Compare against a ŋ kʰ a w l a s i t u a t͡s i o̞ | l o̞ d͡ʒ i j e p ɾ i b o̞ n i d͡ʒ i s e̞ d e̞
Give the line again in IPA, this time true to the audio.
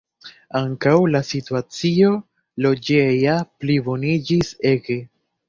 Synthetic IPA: a ŋ k a w l a s i t u a t͡s i o̞ | l o̞ d͡ʒ e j a p l i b o̞ n i d͡ʒ i s e̞ ɡ e̞